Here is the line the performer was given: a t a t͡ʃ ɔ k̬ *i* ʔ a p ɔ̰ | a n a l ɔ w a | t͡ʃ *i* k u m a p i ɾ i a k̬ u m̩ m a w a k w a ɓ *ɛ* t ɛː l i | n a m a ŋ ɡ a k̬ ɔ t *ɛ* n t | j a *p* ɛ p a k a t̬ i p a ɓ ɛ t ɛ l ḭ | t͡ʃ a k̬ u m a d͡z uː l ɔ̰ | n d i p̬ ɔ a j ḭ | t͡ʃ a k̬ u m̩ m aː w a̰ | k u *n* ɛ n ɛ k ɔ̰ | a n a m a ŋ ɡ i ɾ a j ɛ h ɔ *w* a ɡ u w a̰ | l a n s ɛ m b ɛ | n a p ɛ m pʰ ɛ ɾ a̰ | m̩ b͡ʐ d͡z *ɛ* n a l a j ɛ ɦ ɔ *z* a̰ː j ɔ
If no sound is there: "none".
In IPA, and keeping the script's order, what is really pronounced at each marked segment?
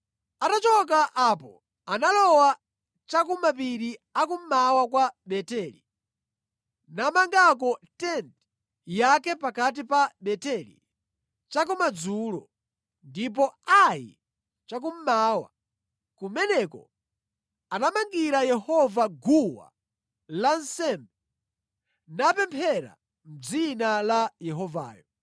a, a, ɛ, ɛ, k, m, v, i, v

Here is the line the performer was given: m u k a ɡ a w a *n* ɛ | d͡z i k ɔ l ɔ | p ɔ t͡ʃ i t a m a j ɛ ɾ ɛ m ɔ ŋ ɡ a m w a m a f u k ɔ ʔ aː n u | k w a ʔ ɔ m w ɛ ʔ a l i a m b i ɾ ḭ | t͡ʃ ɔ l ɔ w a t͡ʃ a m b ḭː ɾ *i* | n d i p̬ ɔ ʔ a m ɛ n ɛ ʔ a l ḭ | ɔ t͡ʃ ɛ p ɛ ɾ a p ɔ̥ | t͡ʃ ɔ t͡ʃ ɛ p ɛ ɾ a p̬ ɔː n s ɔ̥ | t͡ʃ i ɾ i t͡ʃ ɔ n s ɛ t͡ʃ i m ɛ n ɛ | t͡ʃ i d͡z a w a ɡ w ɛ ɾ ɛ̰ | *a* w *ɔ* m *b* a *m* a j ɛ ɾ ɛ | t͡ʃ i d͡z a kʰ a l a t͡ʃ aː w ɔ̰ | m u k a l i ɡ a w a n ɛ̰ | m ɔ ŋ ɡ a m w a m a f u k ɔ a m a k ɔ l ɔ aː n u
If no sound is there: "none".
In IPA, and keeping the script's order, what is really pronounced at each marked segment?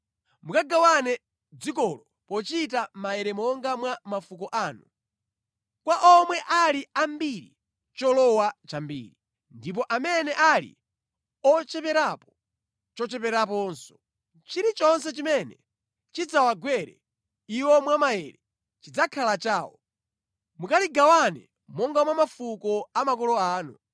n, i, i, ɔ, w, m

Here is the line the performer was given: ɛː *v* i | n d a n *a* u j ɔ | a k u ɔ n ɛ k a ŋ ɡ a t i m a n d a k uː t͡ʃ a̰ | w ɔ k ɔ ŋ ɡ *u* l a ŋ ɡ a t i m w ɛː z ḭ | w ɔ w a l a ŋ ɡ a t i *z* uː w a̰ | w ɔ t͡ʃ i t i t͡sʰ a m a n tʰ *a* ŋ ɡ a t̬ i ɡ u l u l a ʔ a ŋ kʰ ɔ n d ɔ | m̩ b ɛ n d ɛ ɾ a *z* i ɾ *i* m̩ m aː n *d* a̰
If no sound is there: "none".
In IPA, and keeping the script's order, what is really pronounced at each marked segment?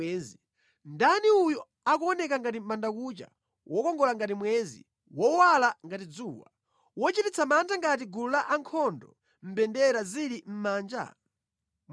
z, i, ɔ, d͡z, a, z, i, d͡ʒ

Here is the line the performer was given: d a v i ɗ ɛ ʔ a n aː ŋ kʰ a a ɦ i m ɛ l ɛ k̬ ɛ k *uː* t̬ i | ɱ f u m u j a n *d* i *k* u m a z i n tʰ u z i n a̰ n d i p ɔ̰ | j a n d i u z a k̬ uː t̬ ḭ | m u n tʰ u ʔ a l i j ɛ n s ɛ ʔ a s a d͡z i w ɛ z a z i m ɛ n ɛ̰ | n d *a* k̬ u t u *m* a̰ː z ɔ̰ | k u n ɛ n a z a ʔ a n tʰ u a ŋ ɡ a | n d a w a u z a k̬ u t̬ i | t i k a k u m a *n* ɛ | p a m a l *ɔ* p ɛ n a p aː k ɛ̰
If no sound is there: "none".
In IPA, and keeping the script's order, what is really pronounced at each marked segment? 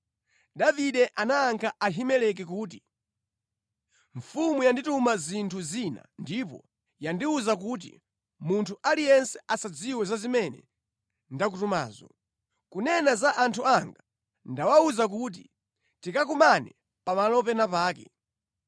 uː, d, t, a, m, n, ɔ

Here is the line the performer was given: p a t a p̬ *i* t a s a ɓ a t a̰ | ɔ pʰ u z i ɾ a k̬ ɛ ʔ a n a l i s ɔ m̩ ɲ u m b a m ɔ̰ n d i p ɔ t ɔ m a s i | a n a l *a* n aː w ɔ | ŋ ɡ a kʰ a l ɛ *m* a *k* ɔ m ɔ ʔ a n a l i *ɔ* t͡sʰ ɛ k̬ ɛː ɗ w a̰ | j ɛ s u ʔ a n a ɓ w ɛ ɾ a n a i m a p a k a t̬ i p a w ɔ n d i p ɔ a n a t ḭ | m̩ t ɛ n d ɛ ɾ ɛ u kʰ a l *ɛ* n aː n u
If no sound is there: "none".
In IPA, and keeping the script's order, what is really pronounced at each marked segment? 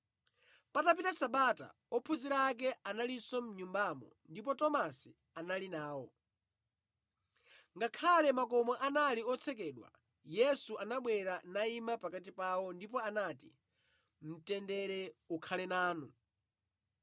i, i, m, k, ɔ, ɛ

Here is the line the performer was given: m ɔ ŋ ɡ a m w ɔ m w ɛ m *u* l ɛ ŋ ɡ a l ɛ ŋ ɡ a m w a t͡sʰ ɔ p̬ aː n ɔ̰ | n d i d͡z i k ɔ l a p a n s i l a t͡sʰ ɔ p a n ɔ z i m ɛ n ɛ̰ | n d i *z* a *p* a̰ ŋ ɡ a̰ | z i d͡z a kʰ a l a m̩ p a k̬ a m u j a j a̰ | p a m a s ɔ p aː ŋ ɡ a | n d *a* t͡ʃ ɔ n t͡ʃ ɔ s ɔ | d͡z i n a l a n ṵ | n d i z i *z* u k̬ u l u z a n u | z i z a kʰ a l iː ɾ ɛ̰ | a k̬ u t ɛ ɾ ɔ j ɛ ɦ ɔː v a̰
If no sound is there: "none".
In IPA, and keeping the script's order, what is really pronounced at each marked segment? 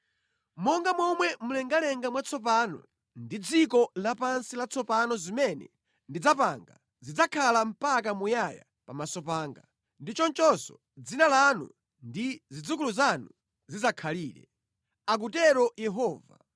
u, d͡z, p, i, d͡z

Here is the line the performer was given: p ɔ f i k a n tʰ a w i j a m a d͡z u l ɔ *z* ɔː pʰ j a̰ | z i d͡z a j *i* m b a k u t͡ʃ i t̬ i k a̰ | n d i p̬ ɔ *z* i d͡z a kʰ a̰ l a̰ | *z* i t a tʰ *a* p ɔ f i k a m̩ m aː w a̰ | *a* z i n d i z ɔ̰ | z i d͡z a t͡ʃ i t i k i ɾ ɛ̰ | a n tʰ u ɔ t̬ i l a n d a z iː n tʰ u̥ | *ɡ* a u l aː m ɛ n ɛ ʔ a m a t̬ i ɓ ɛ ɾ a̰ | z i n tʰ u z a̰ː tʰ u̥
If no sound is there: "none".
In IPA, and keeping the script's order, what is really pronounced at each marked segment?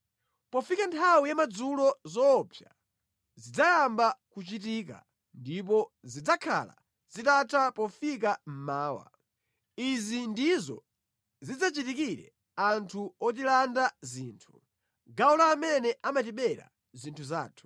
z, a, z, z, a, i, ɡ

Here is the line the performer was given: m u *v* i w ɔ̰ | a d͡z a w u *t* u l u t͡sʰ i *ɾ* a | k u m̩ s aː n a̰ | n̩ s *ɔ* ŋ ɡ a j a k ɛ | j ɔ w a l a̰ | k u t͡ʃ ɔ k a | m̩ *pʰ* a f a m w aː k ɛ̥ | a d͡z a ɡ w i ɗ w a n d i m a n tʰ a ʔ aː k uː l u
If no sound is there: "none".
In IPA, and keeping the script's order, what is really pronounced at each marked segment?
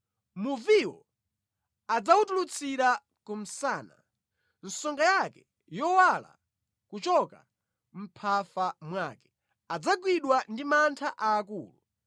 v, t, ɾ, ɔ, pʰ

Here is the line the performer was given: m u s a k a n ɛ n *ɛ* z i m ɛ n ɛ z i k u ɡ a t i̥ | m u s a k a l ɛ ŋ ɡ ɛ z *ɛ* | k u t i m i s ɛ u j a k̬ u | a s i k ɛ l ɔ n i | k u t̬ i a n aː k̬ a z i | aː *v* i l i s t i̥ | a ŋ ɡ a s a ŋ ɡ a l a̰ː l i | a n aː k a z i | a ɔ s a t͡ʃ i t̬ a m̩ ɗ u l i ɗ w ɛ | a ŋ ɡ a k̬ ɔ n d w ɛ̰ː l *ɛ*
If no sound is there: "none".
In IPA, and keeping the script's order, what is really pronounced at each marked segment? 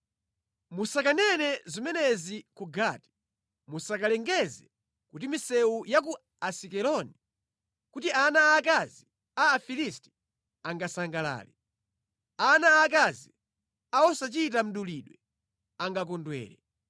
ɛ, ɛ, f, ɛ

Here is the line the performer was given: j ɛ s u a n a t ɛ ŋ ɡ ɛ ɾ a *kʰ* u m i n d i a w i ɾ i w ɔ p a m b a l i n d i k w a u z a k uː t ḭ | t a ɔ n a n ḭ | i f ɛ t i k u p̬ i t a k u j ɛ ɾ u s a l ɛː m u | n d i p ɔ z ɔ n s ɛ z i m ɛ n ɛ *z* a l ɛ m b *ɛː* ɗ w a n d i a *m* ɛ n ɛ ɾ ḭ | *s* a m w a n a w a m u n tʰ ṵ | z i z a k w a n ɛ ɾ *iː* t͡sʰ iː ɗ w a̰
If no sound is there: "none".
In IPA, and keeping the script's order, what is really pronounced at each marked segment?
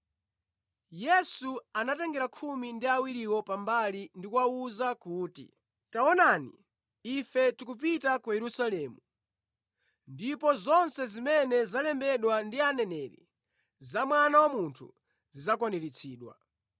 kʰ, z, ɛ, n, z, i

